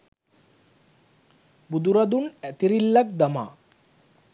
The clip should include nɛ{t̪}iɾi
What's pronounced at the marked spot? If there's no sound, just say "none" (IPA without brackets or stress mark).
t̪